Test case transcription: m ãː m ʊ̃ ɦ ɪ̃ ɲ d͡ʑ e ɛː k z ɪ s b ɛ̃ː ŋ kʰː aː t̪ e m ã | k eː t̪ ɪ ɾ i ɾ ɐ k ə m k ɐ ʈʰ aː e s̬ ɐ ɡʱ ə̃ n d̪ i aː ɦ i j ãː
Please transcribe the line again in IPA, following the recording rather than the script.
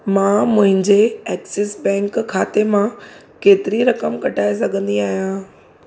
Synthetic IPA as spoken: m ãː m ʊ̃ ɦ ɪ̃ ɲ d͡ʑ e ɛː k s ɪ s b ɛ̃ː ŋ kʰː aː t̪ e m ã | k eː t̪ ɪ ɾ i ɾ ɐ k ə m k ɐ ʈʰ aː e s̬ ɐ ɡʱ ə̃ n d̪ i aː ɦ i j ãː